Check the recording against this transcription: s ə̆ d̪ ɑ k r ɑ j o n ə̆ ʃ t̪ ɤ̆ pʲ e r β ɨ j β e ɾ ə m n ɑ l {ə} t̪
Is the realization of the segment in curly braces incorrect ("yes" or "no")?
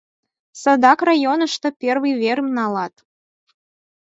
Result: yes